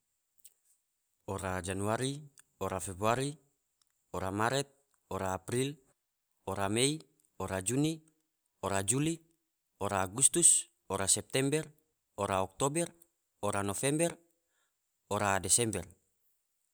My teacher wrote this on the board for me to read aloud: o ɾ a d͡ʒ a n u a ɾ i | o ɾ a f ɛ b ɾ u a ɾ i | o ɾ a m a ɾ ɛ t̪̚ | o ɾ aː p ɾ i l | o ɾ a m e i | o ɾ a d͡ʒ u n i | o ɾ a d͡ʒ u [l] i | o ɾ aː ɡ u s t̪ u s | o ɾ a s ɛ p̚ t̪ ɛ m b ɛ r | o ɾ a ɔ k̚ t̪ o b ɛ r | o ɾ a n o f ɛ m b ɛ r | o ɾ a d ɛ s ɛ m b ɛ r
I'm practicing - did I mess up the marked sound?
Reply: no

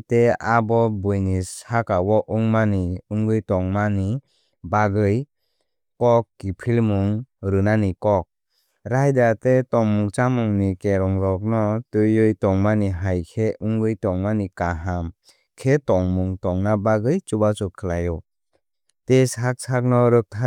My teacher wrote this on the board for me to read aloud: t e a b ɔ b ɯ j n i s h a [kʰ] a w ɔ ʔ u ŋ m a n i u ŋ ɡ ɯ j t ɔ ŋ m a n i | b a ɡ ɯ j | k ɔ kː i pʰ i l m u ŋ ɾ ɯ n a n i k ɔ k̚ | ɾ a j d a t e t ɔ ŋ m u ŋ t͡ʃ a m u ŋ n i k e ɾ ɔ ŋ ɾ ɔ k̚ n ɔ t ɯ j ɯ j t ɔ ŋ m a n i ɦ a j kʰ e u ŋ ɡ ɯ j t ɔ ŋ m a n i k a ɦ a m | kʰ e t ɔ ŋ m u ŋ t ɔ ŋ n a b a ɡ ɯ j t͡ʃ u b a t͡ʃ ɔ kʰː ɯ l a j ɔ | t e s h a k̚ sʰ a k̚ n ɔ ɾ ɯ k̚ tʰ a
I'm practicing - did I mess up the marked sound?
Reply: yes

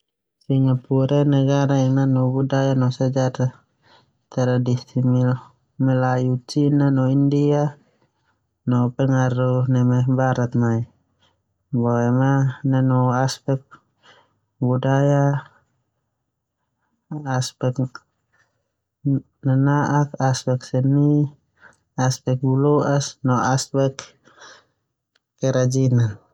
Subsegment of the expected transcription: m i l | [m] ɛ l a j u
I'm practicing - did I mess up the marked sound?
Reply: no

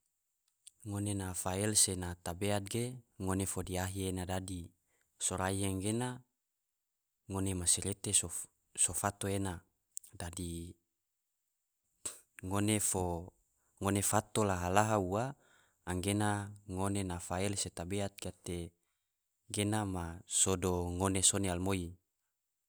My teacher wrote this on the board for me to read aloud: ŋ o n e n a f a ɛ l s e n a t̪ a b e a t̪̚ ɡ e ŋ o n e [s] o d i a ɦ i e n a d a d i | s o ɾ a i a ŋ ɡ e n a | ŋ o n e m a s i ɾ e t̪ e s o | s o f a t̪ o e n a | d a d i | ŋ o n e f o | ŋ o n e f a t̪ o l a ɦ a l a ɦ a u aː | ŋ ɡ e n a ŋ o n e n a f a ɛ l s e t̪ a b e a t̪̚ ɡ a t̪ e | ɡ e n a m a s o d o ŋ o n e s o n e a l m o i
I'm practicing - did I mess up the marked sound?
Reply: yes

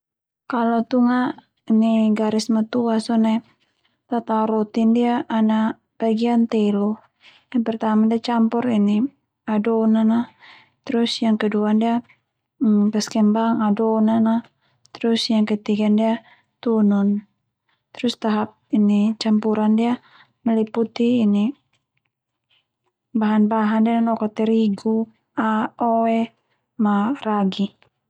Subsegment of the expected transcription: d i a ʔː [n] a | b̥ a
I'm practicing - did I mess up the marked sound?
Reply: no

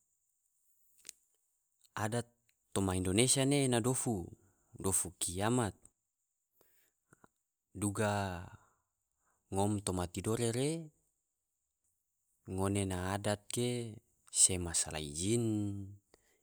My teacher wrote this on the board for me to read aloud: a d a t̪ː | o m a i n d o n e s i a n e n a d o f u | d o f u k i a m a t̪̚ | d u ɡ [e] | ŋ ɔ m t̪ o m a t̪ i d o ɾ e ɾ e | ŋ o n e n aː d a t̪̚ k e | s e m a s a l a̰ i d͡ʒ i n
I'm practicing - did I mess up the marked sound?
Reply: yes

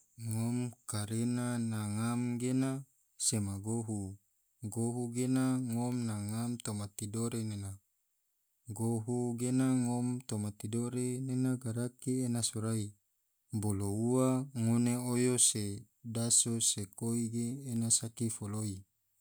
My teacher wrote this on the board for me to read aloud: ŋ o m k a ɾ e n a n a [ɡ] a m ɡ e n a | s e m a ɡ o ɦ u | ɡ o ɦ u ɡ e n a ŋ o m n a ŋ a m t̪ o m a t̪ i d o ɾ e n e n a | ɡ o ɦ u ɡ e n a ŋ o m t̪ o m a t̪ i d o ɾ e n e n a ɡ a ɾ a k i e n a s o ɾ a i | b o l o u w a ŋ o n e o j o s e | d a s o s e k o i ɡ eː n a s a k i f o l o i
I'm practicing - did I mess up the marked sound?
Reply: yes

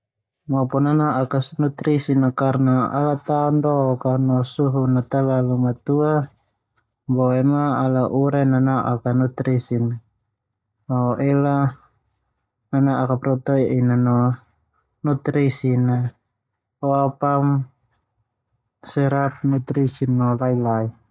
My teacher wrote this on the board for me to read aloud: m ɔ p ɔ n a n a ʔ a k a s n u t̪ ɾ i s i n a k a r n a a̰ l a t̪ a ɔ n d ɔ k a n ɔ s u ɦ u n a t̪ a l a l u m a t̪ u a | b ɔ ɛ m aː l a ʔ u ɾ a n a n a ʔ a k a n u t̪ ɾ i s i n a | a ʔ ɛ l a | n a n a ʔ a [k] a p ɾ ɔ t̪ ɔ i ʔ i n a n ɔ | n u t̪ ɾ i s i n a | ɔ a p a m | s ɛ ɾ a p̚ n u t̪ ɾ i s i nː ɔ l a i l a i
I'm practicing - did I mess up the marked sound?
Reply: no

